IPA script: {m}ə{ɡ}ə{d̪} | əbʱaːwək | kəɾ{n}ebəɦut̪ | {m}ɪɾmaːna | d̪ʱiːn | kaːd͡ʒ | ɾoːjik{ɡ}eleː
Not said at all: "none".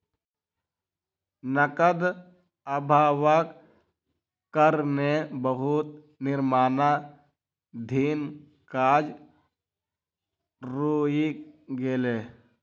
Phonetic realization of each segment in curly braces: n, k, d̪, n, n, ɡ

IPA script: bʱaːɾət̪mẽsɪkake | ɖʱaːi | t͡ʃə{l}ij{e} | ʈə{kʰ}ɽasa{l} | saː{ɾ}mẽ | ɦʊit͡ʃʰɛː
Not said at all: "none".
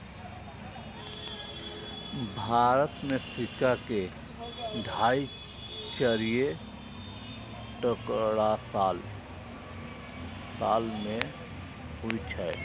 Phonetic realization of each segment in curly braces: ɾ, e, k, l, l

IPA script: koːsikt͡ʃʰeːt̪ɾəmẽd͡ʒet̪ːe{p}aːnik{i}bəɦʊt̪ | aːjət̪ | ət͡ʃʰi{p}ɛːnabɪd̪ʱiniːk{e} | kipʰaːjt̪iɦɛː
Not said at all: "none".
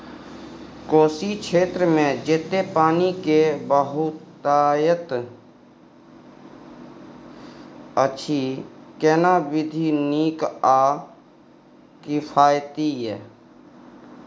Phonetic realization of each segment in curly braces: p, e, k, a

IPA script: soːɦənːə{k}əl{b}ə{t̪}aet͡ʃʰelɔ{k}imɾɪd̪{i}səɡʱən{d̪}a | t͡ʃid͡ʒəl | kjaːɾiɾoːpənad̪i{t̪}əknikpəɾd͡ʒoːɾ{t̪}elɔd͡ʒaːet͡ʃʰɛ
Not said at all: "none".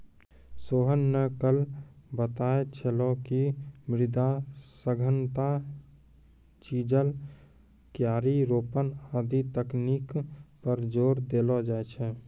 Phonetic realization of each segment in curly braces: k, b, t̪, k, a, t̪, t̪, d̪

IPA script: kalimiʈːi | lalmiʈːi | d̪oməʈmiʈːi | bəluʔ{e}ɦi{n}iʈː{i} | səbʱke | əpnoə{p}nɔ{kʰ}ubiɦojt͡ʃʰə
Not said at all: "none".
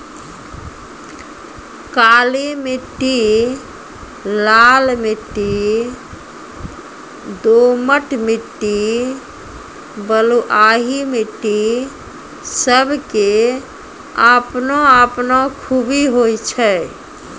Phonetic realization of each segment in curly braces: a, m, i, p, kʰ

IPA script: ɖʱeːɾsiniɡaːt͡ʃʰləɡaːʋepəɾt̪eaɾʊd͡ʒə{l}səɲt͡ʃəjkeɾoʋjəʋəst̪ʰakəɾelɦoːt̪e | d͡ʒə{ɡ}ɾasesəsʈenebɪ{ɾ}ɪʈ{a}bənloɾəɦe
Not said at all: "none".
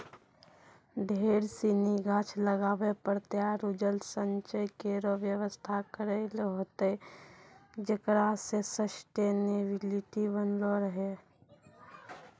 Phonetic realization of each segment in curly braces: l, k, l, i

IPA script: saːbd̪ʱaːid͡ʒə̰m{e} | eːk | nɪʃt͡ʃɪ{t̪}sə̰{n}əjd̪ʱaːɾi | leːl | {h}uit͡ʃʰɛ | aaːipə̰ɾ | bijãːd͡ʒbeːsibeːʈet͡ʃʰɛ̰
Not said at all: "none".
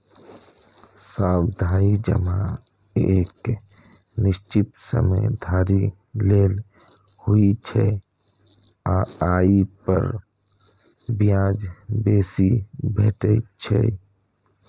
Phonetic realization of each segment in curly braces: a, t̪, m, h

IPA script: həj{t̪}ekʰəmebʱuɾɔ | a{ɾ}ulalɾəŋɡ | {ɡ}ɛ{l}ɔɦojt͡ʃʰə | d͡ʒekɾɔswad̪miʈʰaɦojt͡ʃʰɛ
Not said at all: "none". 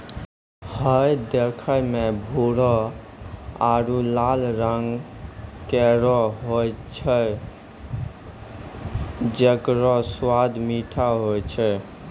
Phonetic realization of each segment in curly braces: d̪, ɾ, k, ɾ

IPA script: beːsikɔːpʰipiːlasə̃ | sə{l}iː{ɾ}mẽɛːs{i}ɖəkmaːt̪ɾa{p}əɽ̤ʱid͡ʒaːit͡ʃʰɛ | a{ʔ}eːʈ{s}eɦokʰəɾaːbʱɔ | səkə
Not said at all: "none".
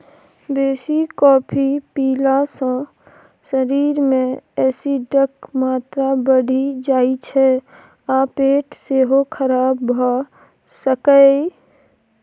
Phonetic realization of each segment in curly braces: ɾ, ɾ, i, b, p, s

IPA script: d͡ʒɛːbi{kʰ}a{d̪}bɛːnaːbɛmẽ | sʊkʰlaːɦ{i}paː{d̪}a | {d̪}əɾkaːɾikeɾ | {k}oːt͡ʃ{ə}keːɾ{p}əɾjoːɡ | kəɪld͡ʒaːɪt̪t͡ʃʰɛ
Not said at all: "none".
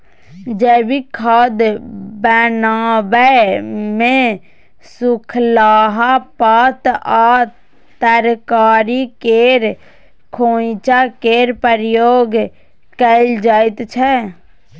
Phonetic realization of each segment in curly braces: kʰ, d̪, a, t̪, t̪, kʰ, a, p

